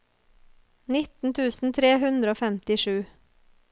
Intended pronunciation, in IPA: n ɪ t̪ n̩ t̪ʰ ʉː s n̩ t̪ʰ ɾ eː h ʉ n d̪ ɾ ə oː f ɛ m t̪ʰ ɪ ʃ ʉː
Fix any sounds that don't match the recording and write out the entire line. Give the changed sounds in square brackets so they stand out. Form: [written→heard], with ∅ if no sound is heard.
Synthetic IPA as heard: n ɪ t̪ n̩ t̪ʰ ʉː s n̩ t̪ʰ ɾ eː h ʉ n d̪ ɾ ə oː f ɛ m [t̪ʰ→t̪] ɪ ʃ ʉː

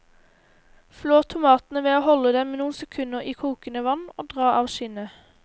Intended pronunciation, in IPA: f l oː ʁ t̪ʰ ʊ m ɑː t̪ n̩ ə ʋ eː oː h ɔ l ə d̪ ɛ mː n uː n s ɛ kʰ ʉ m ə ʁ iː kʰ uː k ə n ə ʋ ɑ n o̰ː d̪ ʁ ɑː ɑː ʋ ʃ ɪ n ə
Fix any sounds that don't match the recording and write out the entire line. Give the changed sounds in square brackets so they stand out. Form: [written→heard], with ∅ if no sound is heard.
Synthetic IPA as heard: f l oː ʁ t̪ʰ ʊ m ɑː t̪ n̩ ə ʋ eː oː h ɔ l ə d̪ ɛ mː n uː n s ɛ kʰ ʉ [m→n] ə ʁ iː kʰ uː k ə n ə ʋ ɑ n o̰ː d̪ ʁ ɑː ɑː ʋ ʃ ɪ n ə

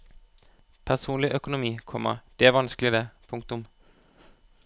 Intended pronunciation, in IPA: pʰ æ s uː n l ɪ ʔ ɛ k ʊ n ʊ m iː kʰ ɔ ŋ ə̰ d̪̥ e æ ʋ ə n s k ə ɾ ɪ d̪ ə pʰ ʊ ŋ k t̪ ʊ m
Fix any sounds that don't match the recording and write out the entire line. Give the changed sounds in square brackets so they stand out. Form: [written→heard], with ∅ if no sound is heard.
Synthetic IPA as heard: pʰ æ s uː n l ɪ ʔ [ɛ→œ] k ʊ n ʊ m iː kʰ ɔ [ŋ→m] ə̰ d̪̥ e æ ʋ [ə→ɑ] n s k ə [ɾ→l] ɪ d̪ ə pʰ ʊ ŋ k t̪ ʊ m

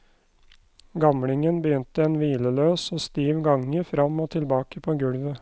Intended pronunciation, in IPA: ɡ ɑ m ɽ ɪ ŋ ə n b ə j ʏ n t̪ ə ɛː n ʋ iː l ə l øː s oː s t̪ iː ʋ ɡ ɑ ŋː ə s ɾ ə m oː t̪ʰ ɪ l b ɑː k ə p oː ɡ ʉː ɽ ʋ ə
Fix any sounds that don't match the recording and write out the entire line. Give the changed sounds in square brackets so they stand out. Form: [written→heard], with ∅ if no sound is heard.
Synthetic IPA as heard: ɡ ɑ m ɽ ɪ ŋ ə n b ə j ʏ n t̪ ə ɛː n ʋ iː l ə l øː s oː s t̪ iː ʋ ɡ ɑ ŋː ə [s→f] ɾ [ə→ɑ] m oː t̪ʰ ɪ l b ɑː k ə [p→pʰ] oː ɡ [ʉː→ʉ] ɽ ʋ ə

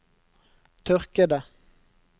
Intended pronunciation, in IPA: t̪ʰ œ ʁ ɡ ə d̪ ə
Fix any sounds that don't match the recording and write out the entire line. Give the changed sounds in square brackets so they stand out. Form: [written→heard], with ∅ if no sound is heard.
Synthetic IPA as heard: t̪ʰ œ ʁ [ɡ→k] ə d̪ ə

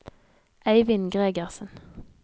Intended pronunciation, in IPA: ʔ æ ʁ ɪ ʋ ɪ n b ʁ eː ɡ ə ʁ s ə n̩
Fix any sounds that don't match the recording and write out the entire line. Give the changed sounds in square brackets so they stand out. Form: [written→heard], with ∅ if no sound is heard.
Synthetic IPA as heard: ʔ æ [ʁ→∅] ɪ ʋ ɪ n [b→ɡ] ʁ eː ɡ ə ʁ s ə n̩

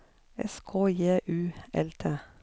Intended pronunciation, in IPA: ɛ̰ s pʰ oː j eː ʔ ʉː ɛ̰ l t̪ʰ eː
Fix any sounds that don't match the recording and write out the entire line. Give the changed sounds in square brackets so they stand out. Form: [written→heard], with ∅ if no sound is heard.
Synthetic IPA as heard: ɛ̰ s [pʰ→kʰ] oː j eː ʔ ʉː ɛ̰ l t̪ʰ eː

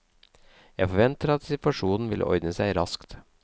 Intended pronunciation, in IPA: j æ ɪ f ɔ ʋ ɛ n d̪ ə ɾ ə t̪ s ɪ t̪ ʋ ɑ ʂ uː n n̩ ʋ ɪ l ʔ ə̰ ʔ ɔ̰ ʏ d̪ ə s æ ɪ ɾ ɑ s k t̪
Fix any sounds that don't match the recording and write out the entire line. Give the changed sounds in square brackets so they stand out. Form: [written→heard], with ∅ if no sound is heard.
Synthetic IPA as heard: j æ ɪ f ɔ ʋ ɛ n [d̪→t̪] ə ɾ [ə→ɑ] t̪ s ɪ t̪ ʋ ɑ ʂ uː n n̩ ʋ ɪ l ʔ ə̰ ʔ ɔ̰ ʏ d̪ ə s æ ɪ ɾ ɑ s k t̪

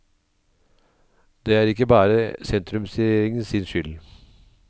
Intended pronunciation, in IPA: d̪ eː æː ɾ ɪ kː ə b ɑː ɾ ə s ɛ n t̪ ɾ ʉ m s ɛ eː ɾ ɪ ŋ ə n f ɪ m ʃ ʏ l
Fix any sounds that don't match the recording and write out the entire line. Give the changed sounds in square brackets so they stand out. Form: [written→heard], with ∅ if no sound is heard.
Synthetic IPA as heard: d̪ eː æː ɾ ɪ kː ə b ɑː ɾ ə s ɛ n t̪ ɾ ʉ m s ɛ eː ɾ ɪ ŋ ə n [f→s] ɪ [m→n] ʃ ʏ l

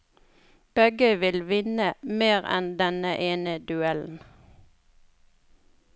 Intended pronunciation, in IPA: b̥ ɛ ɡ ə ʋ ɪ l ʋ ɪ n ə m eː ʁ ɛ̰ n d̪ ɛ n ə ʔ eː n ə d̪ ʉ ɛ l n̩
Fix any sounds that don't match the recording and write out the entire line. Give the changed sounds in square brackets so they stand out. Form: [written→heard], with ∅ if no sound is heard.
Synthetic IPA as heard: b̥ ɛ ɡ ə ʋ ɪ l ʋ ɪ n ə m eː ʁ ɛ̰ n d̪ ɛ n ə ʔ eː n ə d̪ ʉ ɛ l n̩

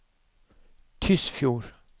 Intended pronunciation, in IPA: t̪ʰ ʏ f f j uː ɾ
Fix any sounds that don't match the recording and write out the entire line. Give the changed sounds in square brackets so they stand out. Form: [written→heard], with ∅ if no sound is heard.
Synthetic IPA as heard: t̪ʰ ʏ [f→s] f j uː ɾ

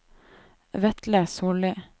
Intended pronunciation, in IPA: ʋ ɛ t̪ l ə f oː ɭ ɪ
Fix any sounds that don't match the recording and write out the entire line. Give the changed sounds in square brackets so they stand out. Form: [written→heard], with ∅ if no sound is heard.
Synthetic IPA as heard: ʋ ɛ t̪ l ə [f→s] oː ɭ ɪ

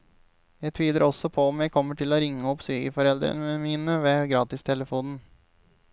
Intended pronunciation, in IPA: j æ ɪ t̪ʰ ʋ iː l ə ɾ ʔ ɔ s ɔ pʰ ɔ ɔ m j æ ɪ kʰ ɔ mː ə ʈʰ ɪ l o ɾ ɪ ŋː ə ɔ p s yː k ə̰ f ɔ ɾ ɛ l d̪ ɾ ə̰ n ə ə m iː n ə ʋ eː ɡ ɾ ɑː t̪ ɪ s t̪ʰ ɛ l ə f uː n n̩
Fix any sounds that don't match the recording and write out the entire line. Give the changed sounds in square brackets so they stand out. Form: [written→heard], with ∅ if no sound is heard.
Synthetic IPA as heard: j æ ɪ t̪ʰ ʋ iː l ə ɾ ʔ ɔ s ɔ pʰ ɔ ɔ m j æ ɪ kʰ ɔ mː ə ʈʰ ɪ l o ɾ ɪ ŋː ə ɔ p s yː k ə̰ f ɔ ɾ ɛ l d̪ ɾ ə̰ n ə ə m iː n ə ʋ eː ɡ ɾ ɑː t̪ ɪ s t̪ʰ ɛ l ə f uː n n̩

